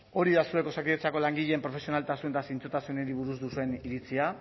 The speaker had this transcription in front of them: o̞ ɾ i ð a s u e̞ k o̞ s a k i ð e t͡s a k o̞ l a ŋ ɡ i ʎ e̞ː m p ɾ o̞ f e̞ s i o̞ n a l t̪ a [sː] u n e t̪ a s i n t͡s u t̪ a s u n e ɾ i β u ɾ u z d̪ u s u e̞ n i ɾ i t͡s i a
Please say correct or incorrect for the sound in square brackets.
incorrect